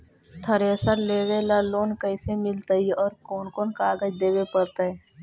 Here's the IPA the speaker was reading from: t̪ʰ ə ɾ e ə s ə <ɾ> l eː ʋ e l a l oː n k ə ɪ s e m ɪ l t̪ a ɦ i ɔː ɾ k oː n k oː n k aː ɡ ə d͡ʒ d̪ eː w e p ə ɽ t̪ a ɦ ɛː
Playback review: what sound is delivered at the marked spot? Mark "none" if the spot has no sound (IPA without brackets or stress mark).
ɾ